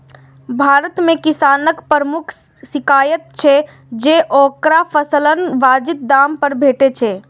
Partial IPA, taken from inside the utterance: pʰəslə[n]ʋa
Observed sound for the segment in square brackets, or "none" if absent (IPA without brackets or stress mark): n